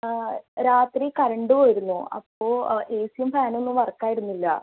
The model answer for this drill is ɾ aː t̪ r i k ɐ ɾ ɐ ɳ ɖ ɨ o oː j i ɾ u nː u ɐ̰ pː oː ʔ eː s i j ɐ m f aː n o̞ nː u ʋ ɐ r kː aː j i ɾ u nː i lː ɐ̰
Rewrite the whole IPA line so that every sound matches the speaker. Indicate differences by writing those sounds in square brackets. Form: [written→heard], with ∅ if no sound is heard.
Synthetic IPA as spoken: ɾ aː t̪ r i k ɐ ɾ ɐ ɳ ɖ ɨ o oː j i ɾ u nː u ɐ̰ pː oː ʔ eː s i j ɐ m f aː n o̞ nː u ʋ ɐ r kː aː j i ɾ u nː i lː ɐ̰